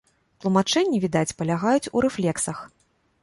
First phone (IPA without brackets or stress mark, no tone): t̪